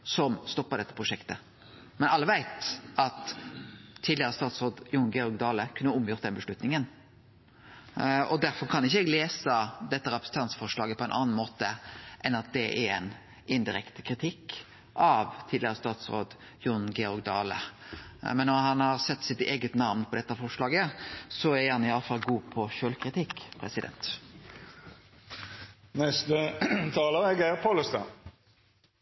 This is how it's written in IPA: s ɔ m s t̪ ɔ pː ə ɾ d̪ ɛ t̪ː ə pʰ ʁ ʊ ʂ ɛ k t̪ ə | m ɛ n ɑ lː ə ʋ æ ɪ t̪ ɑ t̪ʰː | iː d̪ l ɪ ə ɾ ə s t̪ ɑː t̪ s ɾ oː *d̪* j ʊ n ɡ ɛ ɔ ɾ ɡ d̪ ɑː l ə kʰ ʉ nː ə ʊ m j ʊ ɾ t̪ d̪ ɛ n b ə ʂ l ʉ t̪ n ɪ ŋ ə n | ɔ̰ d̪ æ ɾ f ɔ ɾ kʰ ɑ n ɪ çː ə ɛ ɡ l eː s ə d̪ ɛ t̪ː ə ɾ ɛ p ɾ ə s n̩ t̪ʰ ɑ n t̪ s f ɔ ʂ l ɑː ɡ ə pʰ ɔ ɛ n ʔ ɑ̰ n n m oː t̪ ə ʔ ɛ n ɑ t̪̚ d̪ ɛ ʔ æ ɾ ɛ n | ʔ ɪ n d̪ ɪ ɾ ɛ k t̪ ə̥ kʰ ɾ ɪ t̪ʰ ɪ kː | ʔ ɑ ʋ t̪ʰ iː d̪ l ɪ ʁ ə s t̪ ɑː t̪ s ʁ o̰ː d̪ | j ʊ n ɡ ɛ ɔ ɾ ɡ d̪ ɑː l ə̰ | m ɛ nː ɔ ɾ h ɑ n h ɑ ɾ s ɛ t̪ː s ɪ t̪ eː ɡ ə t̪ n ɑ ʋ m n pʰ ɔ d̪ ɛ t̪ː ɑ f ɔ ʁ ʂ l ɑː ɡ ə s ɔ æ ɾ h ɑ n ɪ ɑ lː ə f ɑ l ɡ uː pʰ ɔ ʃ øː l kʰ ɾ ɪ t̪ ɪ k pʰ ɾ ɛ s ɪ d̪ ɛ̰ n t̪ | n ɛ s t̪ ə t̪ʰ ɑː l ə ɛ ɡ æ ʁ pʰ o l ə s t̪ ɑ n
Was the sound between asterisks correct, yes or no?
yes